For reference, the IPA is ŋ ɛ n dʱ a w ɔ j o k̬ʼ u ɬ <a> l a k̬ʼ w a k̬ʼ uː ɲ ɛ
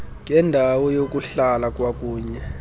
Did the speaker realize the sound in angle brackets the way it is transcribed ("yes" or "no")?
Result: yes